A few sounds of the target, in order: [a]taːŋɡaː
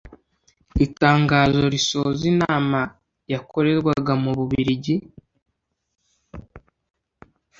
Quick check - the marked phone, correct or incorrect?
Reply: incorrect